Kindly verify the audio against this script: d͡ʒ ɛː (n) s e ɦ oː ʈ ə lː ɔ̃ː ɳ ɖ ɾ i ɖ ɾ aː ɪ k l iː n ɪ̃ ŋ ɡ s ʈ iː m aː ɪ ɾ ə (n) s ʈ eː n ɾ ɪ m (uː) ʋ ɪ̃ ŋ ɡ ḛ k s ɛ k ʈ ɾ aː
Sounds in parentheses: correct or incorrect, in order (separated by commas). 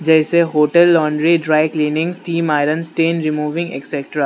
incorrect, correct, correct